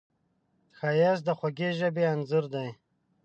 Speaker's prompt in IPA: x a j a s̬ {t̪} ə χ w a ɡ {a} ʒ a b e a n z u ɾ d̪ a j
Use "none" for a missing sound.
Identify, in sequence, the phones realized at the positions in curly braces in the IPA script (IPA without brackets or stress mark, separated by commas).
d̪, e